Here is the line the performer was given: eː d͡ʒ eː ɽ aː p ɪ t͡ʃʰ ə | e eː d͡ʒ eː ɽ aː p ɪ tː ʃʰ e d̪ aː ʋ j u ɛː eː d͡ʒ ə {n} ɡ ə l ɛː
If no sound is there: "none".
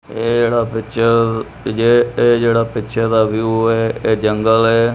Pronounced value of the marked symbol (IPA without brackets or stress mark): ŋ